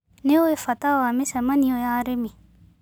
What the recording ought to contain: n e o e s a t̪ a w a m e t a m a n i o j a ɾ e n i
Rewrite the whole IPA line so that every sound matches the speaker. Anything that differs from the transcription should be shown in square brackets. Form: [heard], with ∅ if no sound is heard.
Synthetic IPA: n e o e [f] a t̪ a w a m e [s] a m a n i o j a ɾ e [m] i